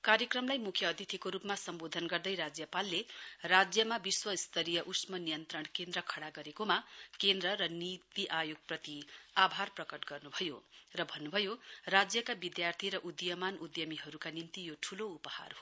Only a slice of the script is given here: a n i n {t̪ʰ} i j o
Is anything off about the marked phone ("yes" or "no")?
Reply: yes